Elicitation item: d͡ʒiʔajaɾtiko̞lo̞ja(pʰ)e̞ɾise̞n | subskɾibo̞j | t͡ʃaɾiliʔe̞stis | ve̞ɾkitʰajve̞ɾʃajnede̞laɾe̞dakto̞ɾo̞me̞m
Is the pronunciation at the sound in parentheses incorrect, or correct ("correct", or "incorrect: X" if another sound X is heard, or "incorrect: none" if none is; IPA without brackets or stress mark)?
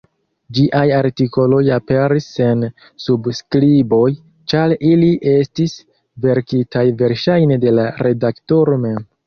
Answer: incorrect: p